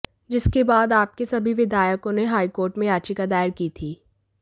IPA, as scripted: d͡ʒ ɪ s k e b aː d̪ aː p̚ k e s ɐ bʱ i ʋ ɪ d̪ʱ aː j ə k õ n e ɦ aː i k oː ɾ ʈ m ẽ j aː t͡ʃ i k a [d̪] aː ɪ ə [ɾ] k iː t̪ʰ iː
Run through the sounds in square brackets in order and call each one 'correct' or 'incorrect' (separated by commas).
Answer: correct, correct